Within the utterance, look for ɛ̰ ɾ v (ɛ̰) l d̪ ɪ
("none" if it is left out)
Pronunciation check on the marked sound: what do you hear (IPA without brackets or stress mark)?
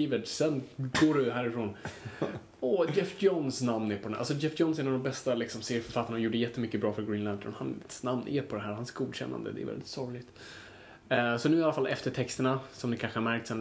ɛ̰